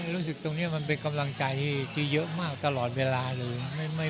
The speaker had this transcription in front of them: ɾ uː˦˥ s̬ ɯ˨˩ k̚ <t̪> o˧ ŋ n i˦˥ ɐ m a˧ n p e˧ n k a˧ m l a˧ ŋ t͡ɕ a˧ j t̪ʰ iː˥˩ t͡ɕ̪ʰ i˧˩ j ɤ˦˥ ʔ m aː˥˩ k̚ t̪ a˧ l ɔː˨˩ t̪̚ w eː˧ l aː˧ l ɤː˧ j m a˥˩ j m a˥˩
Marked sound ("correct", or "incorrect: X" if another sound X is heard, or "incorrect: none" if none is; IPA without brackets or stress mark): correct